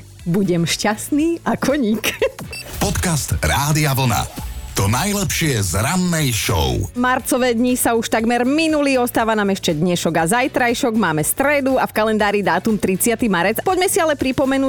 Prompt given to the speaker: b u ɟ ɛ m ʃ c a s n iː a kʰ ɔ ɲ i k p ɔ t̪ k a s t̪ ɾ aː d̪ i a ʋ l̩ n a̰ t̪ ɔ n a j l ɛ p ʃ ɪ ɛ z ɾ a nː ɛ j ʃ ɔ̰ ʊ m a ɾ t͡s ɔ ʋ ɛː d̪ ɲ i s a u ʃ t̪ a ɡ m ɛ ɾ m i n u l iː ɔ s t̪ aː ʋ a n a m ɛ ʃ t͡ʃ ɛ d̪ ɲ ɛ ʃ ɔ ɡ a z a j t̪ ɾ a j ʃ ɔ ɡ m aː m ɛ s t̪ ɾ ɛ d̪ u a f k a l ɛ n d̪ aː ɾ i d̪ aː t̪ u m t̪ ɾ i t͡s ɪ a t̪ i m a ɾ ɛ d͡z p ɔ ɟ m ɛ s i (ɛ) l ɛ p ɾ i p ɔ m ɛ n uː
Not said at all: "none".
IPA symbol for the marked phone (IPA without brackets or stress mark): a